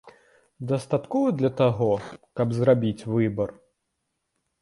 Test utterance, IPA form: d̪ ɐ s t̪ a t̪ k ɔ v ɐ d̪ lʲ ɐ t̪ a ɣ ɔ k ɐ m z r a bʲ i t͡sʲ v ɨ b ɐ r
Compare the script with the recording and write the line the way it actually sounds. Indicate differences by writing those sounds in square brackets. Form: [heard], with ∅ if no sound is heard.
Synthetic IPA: d̪ ɐ s t̪ a t̪ k ɔ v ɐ d̪ lʲ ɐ t̪ a ɣ ɔ k ɐ [b] z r a bʲ i t͡sʲ v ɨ b ɐ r